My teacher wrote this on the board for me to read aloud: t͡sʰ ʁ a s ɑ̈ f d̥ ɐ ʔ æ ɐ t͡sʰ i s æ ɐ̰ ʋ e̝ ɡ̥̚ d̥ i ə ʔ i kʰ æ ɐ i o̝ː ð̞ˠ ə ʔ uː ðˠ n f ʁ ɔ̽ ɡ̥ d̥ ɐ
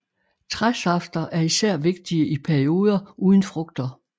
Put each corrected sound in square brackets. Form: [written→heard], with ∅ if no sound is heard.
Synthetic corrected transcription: t͡sʰ ʁ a s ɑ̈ f d̥ ɐ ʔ æ ɐ [t͡sʰ→∅] i s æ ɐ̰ ʋ e̝ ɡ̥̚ d̥ i ə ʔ i [kʰ→pʰ] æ ɐ i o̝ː ð̞ˠ [ə→ɐ] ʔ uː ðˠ n f ʁ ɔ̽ ɡ̥ d̥ ɐ